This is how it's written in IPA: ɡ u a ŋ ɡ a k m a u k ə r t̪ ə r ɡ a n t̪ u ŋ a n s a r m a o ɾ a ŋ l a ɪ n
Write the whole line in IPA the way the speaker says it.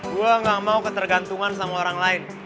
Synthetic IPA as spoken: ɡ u a ŋ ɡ a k m a u k ə t̪ ə r ɡ a n t̪ u ŋ a n s a m a o ɾ a ŋ l a ɪ n